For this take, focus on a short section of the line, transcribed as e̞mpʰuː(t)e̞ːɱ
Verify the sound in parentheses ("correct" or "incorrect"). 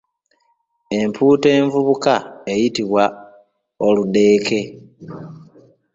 correct